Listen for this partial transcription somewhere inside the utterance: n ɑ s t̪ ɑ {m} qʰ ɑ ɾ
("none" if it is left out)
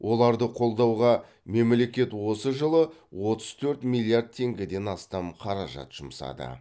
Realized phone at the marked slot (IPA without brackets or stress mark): m